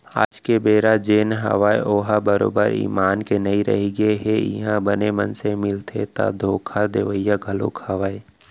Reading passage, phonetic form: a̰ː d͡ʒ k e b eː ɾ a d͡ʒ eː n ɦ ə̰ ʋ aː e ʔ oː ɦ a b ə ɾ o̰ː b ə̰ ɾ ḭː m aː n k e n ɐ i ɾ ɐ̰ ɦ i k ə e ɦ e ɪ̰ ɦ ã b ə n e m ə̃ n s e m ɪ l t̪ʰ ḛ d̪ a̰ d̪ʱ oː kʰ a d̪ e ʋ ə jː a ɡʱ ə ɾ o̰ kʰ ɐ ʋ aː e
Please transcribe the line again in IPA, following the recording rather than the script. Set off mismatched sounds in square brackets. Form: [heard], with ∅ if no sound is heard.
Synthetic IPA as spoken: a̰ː d͡ʒ k e b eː ɾ a d͡ʒ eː n ɦ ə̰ ʋ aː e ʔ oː ɦ a b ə ɾ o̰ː b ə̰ ɾ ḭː m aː n k e n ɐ i ɾ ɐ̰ ɦ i [ɡ] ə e ɦ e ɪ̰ ɦ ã b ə n e m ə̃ n s e m ɪ l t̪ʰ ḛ [t̪] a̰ d̪ʱ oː kʰ a d̪ e ʋ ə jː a ɡʱ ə [l] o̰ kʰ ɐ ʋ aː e